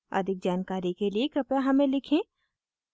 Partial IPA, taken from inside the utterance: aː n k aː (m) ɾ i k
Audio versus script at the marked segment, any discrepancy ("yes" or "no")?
yes